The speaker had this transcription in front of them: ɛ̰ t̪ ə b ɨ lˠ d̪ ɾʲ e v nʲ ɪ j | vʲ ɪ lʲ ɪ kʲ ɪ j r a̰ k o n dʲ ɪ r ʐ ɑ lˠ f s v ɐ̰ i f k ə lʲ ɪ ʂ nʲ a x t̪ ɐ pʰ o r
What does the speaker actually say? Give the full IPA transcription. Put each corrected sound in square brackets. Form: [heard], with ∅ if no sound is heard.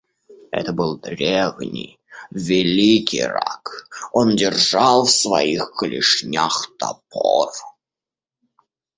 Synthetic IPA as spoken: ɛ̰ t̪ ə b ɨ lˠ d̪ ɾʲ e v nʲ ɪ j | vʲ ɪ lʲ [i] kʲ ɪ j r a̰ k o n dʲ ɪ r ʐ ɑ lˠ f s v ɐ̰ i [x] k ə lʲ ɪ ʂ nʲ a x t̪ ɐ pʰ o r

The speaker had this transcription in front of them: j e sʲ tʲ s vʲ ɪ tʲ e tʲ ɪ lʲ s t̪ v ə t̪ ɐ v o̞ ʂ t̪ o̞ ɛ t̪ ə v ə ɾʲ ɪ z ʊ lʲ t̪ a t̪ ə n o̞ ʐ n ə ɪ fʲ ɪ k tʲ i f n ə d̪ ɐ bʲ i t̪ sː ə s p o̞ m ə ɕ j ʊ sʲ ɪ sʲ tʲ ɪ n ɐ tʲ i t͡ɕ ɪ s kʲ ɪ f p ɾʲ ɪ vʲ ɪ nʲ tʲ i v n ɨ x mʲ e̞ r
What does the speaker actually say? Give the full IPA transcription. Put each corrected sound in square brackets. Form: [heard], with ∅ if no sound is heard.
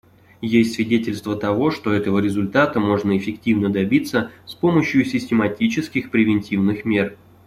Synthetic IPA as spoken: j e sʲ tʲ s vʲ ɪ [dʲ] e tʲ ɪ lʲ s t̪ v ə t̪ ɐ v o̞ ʂ t̪ o̞ ɛ t̪ ə v ə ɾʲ ɪ z ʊ lʲ t̪ a t̪ ə [m] o̞ ʐ n ə ɪ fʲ ɪ k tʲ i [v] n ə d̪ ɐ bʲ i t̪ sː ə s p o̞ m ə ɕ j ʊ sʲ ɪ sʲ tʲ ɪ [m] ɐ tʲ i t͡ɕ ɪ s kʲ ɪ [x] p ɾʲ ɪ vʲ ɪ nʲ tʲ i v n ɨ x mʲ e̞ r

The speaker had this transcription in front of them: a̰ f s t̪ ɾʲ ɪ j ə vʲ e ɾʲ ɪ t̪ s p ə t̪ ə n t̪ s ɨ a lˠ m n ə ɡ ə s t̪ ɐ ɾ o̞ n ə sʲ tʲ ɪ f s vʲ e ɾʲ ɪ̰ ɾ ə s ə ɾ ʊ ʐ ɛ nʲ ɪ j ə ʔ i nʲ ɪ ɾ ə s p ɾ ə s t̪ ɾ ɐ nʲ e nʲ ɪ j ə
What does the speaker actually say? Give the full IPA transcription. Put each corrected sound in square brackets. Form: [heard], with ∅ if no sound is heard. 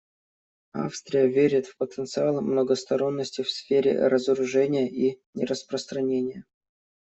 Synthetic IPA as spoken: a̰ f s t̪ ɾʲ ɪ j ə vʲ e ɾʲ ɪ t̪ [f] p ə t̪ ə n t̪ s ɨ a lˠ m n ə ɡ ə s t̪ ɐ ɾ o̞ [nː] ə sʲ tʲ ɪ f s [fʲ] e ɾʲ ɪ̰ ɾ ə [z] ə ɾ ʊ ʐ ɛ nʲ ɪ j ə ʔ i nʲ ɪ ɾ ə s p ɾ ə s t̪ ɾ ɐ nʲ e nʲ ɪ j ə

